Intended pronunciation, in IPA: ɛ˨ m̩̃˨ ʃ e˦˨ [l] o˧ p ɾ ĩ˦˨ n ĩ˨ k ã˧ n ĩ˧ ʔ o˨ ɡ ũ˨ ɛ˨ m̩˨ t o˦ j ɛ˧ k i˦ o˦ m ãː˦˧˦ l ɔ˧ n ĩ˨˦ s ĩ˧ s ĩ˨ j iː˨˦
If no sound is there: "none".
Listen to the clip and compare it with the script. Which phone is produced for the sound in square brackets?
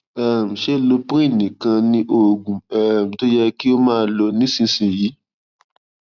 l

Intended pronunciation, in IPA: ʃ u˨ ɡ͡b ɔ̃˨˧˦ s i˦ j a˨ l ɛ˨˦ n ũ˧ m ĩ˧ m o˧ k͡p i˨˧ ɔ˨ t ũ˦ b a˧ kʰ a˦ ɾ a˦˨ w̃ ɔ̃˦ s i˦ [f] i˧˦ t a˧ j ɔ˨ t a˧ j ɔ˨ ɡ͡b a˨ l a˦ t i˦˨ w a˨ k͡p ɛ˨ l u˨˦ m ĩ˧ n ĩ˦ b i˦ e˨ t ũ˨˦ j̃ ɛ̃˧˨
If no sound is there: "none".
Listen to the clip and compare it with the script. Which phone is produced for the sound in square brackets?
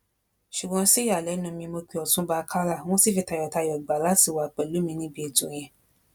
f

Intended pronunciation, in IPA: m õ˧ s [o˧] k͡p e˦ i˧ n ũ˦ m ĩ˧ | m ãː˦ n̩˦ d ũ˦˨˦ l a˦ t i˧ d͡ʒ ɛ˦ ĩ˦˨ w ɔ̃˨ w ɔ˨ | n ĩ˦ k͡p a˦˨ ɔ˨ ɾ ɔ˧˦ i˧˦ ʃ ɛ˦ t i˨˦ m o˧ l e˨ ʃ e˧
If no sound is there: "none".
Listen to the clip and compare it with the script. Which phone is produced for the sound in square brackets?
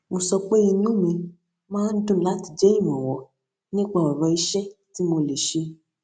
ɔ˧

